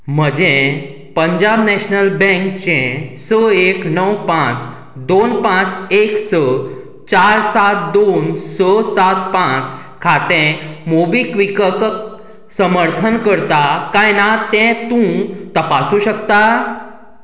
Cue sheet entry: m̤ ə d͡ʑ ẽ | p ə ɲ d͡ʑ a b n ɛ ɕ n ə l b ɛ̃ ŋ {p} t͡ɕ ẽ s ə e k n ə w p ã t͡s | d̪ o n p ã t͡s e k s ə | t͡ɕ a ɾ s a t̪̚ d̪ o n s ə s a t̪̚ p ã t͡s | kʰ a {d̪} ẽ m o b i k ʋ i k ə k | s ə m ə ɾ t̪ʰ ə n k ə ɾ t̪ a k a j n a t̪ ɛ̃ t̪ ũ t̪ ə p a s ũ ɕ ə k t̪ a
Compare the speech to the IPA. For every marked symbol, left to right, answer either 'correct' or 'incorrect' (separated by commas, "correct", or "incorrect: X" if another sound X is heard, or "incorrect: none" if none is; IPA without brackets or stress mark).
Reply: incorrect: k, incorrect: t̪